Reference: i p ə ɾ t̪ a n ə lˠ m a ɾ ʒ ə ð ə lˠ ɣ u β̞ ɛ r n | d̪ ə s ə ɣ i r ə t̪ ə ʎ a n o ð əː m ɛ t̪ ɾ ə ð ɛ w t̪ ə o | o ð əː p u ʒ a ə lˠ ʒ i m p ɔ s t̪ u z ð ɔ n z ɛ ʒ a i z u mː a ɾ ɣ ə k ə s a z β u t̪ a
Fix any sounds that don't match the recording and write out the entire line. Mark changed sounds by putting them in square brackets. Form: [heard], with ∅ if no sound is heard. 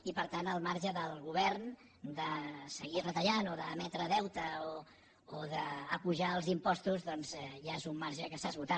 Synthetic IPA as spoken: i p ə ɾ t̪ a n ə lˠ m a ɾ ʒ ə ð ə lˠ ɣ u β̞ ɛ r n | d̪ ə s ə ɣ i r ə t̪ ə ʎ a n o ð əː m ɛ t̪ ɾ ə ð ɛ w t̪ ə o | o ð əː p u ʒ a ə lˠ [z] i m p ɔ s t̪ u z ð ɔ n z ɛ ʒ a [e] z u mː a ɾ [ʒ] ə k ə s a z β u t̪ a